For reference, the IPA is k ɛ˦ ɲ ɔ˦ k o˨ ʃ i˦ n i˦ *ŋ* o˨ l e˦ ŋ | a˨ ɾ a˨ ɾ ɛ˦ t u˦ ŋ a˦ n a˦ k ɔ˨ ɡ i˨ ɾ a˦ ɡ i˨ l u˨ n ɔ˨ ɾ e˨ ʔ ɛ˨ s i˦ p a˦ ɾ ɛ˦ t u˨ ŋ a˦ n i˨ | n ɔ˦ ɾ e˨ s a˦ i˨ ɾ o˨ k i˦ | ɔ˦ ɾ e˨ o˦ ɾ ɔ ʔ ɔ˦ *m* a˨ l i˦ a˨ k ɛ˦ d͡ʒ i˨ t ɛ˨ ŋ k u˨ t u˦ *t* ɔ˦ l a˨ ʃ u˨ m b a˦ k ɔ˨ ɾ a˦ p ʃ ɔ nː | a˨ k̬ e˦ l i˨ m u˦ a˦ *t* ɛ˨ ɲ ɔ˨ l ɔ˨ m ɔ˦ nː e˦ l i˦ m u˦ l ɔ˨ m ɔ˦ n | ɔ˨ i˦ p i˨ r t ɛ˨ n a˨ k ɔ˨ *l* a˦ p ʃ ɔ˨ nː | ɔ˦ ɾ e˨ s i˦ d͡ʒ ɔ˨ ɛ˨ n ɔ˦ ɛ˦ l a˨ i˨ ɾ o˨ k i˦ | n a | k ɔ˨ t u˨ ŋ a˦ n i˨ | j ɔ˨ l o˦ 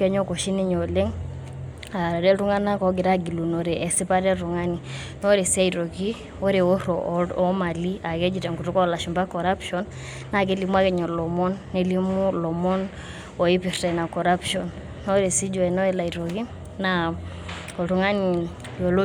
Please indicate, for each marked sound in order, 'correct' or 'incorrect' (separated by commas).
incorrect, correct, incorrect, incorrect, incorrect